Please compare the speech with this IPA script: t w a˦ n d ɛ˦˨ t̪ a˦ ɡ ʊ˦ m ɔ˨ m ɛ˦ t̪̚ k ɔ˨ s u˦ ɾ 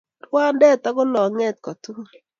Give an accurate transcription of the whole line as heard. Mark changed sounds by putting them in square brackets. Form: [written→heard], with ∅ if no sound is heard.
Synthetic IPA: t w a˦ n d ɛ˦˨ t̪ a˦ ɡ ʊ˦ [m→n] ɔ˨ [m→ŋ] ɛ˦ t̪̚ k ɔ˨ [s→t] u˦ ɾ